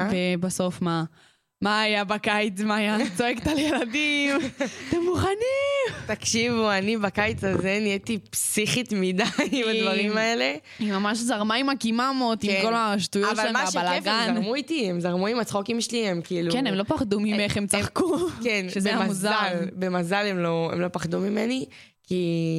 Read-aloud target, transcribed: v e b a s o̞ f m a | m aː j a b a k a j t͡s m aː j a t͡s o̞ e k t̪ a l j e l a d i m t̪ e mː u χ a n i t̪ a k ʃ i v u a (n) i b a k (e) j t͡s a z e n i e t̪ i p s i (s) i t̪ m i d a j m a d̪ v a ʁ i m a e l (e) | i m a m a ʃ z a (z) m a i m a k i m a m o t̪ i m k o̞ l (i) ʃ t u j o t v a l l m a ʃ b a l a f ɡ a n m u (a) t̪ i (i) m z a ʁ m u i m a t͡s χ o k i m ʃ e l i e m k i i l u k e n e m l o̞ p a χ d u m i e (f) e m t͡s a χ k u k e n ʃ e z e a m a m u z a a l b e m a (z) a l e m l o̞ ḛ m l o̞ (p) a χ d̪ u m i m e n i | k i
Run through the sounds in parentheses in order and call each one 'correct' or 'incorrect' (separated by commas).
correct, incorrect, incorrect, correct, incorrect, incorrect, incorrect, incorrect, incorrect, correct, correct